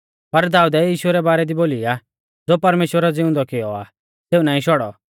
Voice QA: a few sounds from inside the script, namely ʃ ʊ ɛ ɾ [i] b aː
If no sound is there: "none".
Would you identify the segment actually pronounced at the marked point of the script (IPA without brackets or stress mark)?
ɛ